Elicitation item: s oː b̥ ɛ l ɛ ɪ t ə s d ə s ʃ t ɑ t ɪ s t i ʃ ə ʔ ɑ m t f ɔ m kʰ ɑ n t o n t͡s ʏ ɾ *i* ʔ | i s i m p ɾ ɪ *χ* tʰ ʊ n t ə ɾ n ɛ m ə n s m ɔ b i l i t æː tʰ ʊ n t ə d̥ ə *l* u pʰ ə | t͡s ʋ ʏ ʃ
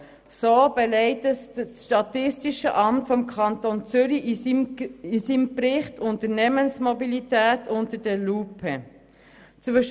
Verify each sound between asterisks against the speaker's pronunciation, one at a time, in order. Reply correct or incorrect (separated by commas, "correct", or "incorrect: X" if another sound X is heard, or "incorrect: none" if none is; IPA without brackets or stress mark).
correct, correct, correct